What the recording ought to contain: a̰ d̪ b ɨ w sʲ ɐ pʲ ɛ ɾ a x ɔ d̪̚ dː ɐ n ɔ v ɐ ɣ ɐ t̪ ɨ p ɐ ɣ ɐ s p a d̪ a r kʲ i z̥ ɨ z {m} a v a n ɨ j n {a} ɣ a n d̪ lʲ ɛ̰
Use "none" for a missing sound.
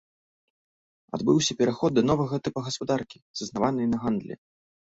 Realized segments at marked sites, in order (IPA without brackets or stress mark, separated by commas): n, ɐ